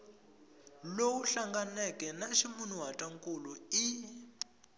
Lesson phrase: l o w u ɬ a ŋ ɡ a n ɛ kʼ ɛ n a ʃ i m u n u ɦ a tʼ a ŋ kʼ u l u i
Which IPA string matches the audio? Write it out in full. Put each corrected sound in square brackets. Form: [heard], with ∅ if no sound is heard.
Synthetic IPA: l o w u ɬ a ŋ ɡ a n ɛ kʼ ɛ n a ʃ i m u n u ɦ a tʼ a ŋ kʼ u l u i

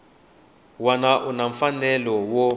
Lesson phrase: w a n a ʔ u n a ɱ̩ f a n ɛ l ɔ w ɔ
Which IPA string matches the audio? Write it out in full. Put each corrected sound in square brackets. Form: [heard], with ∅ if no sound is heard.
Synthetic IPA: w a n a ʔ u n a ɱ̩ f a n ɛ l ɔ w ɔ

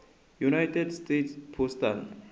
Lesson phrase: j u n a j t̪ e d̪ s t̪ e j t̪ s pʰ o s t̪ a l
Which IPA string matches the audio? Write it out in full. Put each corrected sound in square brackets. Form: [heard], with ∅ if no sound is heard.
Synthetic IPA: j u n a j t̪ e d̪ s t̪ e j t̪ s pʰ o s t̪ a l

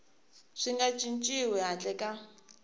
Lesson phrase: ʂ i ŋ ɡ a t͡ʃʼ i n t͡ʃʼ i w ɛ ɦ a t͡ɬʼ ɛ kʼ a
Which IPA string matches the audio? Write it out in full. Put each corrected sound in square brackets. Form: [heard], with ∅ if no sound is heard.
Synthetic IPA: ʂ i ŋ ɡ a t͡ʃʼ i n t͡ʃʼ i w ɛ ɦ a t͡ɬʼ ɛ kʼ a

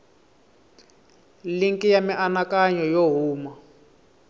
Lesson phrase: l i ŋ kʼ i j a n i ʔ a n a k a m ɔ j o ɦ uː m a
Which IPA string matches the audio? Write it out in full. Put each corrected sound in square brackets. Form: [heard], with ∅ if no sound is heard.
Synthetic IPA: l i ŋ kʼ i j a [m] i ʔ a n a k a [ɲ] ɔ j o ɦ uː m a

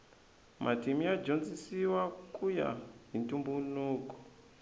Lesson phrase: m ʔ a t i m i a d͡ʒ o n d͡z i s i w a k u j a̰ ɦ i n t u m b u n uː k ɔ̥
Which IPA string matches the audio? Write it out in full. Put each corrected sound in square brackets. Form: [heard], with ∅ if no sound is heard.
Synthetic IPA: m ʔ a t i m i a d͡ʒ o n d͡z i s i w a k u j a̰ ɦ i n t u m b u n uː k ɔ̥

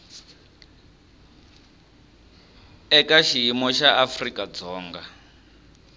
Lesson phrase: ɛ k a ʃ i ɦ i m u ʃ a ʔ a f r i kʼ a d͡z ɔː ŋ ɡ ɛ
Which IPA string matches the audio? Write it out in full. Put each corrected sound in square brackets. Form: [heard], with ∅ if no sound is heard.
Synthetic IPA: ɛ k a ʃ i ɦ i m [ɔ] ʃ a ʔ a f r i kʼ a d͡z ɔː ŋ ɡ [a]

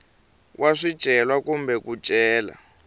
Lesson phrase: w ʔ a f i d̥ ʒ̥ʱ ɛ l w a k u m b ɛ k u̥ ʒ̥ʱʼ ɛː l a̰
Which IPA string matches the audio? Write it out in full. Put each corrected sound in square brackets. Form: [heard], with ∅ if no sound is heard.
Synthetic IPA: w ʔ a [ʂ] i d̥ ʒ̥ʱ ɛ l w a k u m b ɛ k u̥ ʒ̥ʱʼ ɛː l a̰

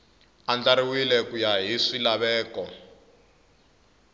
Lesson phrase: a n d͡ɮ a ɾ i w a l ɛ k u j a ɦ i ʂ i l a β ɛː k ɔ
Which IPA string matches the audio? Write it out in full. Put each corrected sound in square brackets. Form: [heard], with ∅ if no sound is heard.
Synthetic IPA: a n d͡ɮ a ɾ i w [i] l ɛ k u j a ɦ i ʂ i l a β ɛː k ɔ

